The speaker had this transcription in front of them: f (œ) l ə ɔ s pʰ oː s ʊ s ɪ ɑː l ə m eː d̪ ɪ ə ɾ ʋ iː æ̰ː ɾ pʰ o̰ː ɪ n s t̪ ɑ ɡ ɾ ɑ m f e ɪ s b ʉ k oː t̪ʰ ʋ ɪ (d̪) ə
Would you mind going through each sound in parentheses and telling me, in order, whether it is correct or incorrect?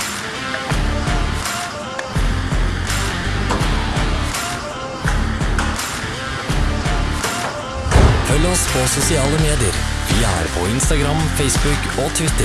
correct, incorrect: t̪

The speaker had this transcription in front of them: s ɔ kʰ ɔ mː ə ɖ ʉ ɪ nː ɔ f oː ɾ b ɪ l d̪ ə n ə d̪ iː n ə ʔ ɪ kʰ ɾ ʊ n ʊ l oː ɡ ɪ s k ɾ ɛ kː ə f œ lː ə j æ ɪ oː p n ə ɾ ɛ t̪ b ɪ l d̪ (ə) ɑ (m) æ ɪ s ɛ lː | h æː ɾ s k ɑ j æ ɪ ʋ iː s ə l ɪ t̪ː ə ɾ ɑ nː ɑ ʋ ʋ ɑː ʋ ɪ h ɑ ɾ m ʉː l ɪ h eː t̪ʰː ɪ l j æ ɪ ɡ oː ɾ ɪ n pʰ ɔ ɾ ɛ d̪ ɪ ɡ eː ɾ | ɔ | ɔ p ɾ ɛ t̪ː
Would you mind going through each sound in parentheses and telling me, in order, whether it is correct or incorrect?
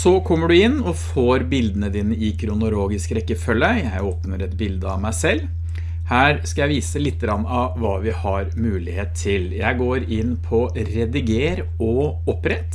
correct, correct

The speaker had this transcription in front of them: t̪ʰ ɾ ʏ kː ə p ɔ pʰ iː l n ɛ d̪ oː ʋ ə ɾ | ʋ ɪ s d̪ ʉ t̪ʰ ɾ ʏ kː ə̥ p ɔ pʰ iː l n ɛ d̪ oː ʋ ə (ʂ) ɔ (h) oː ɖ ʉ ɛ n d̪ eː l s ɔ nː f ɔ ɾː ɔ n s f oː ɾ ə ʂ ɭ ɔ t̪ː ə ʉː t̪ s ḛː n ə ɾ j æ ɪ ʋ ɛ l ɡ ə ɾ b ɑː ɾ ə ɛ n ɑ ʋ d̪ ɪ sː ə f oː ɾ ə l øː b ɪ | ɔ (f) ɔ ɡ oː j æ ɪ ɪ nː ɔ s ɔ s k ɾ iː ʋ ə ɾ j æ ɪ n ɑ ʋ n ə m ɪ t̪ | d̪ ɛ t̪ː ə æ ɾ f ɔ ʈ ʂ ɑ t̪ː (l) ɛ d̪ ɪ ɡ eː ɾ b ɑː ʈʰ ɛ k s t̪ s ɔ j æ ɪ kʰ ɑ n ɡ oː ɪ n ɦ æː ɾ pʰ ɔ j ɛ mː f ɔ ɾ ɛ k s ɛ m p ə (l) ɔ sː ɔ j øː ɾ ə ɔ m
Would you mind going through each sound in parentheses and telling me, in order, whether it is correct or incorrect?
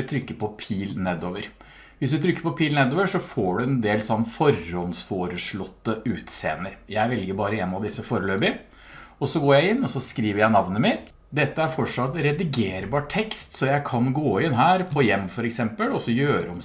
correct, incorrect: f, incorrect: s, incorrect: ɾ, correct

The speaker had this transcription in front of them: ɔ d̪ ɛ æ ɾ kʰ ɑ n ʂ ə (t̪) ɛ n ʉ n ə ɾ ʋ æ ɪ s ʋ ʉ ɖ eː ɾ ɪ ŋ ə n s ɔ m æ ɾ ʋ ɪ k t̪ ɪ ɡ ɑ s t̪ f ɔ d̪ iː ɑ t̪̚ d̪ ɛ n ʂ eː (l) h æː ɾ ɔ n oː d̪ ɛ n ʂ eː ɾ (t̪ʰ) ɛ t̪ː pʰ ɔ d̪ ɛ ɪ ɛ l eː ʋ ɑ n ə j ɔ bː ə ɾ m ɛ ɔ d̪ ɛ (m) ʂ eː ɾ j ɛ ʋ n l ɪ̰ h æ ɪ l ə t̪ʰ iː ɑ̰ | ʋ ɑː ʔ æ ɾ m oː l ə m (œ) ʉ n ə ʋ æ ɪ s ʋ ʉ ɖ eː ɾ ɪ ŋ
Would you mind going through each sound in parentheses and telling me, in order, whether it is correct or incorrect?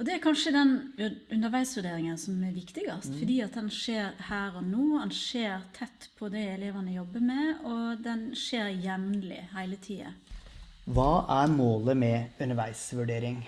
incorrect: d̪, incorrect: ɾ, correct, incorrect: n, incorrect: ɛ

